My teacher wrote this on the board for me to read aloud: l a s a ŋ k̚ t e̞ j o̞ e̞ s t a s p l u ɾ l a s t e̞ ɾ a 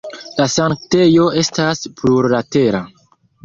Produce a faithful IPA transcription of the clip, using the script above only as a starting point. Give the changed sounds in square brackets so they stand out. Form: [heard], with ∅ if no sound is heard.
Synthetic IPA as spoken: l a s a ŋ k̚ t e̞ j o̞ e̞ s t a s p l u ɾ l a [∅] t e̞ ɾ a